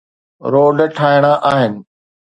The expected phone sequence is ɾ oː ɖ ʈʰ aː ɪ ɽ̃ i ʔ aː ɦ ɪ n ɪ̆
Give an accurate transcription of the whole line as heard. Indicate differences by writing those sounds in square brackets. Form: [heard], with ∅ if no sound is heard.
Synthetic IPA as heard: ɾ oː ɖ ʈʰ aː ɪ ɽ̃ [a] ʔ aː ɦ ɪ n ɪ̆